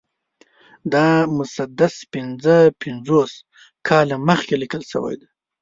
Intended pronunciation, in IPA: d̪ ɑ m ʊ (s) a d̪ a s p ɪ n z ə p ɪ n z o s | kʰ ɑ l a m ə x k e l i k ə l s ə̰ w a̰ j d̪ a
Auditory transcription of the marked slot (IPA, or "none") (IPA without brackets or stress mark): s